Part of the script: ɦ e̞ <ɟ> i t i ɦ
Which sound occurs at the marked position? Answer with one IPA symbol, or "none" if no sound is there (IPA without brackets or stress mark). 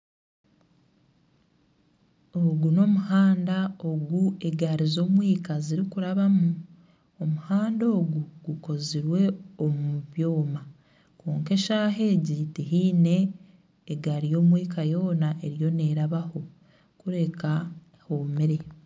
ɟ